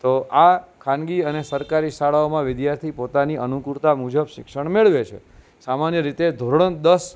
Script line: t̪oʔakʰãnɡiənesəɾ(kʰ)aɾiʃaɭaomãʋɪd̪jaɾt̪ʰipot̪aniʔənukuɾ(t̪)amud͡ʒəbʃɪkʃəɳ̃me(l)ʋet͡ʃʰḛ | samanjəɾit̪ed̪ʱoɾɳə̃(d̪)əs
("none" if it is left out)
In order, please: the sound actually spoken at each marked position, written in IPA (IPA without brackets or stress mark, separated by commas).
k, t̪, ɭ, d̪